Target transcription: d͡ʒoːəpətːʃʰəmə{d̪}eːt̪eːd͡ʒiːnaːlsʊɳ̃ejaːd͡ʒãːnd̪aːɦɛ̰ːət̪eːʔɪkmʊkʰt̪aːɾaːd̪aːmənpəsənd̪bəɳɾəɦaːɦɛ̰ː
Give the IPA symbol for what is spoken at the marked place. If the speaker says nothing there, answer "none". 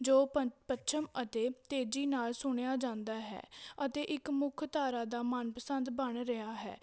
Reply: t̪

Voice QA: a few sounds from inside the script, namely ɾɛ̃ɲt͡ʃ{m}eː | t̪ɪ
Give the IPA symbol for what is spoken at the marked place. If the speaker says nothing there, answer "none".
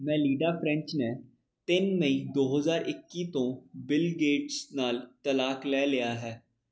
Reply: n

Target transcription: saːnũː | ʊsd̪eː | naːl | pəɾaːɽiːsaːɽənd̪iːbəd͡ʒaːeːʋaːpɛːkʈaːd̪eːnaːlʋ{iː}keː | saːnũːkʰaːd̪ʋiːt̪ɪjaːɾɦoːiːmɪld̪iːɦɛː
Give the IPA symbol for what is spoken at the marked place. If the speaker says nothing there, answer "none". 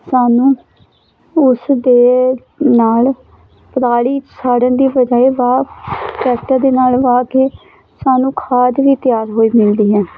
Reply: aː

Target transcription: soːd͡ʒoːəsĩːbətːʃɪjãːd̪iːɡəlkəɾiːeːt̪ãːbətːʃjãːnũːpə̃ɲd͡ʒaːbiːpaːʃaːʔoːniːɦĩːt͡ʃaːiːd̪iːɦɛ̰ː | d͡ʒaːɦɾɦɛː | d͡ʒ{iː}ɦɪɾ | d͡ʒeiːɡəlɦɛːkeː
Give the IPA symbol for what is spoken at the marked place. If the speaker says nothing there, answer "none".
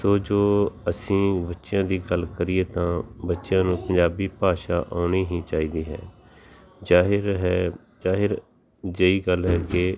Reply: aː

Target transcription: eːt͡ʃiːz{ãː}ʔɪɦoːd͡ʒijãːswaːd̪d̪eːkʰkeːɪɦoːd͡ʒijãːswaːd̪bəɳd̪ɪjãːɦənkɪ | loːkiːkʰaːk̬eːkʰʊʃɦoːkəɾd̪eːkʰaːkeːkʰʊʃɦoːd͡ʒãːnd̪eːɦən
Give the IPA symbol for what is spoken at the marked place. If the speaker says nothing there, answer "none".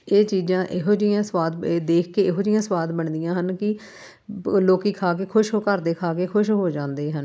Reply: ãː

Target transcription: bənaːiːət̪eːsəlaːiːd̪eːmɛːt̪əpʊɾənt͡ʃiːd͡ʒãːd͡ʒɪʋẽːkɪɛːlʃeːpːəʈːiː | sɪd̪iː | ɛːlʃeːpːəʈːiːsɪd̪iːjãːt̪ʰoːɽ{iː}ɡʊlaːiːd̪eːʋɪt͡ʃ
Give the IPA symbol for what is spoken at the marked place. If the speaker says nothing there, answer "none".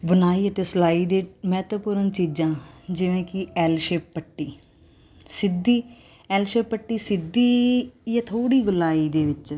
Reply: iː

